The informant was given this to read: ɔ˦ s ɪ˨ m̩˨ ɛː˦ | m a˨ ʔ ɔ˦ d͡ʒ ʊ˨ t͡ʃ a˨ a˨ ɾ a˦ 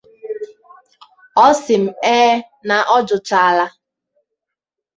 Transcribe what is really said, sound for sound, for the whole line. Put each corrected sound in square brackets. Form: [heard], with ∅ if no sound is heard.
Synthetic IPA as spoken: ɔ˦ s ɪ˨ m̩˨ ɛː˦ | [n] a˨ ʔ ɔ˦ d͡ʒ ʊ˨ t͡ʃ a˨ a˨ [l] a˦